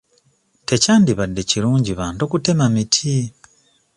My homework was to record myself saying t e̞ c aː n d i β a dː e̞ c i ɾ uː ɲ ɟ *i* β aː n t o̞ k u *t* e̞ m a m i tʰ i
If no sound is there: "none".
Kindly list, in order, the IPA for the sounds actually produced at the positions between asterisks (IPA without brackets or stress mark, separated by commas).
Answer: i, t